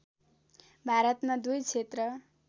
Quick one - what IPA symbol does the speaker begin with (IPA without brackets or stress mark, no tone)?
bʱ